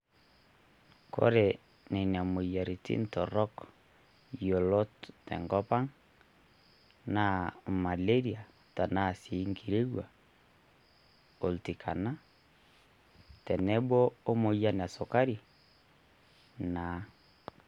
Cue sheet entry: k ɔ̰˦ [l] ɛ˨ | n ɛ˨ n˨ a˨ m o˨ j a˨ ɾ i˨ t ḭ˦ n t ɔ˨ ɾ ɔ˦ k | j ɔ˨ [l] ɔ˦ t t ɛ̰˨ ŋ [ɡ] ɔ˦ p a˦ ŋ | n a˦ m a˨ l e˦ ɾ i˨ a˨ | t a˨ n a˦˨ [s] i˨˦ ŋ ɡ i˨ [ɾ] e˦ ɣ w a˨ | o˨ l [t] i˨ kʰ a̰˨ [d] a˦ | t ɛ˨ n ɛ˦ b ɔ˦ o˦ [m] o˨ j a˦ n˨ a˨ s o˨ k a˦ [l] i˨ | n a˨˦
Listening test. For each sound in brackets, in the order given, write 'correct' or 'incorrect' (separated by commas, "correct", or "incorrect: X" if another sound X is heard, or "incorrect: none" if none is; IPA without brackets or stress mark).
incorrect: ɾ, correct, correct, correct, correct, correct, incorrect: n, correct, incorrect: ɾ